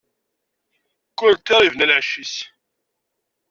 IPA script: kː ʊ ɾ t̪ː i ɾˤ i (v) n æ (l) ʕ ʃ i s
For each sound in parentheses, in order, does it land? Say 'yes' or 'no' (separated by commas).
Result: yes, yes